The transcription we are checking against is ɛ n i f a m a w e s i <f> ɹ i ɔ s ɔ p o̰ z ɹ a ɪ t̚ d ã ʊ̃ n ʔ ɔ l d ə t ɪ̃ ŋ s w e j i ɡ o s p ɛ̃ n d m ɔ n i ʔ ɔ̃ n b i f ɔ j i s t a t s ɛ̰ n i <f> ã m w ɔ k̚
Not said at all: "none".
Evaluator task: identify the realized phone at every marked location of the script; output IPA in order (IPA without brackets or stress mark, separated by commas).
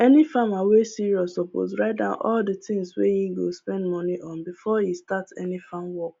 none, f